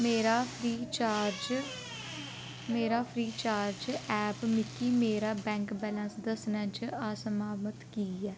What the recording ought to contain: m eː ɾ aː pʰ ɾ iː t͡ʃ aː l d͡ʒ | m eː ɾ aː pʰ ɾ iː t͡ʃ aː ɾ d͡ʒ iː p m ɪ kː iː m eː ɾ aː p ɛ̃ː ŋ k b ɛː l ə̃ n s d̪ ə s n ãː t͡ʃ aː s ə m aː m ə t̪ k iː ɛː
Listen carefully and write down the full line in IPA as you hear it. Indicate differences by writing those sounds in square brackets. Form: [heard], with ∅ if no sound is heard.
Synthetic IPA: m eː ɾ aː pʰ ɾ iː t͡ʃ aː [ɾ] d͡ʒ | m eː ɾ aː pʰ ɾ iː t͡ʃ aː ɾ d͡ʒ [ɛː] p m ɪ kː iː m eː ɾ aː [b] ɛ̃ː ŋ k b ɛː l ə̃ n s d̪ ə s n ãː t͡ʃ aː s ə m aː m ə t̪ k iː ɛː